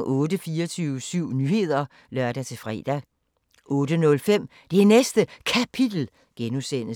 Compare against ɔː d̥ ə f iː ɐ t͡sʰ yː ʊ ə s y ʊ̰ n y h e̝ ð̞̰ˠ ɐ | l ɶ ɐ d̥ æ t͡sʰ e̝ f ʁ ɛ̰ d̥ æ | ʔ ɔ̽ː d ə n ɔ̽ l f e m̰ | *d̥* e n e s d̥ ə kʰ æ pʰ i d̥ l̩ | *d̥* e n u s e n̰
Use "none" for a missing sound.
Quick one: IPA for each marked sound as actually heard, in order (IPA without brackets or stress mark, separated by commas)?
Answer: d̥, ɡ̥